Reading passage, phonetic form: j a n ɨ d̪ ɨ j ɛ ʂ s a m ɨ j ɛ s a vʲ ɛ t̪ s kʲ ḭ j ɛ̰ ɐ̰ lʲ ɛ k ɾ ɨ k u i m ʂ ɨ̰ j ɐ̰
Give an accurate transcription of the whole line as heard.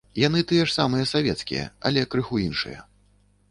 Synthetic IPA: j a n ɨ t̪ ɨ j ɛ ʂ s a m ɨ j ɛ s a vʲ ɛ t̪ s kʲ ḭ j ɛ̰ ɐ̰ lʲ ɛ k ɾ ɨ x u i n ʂ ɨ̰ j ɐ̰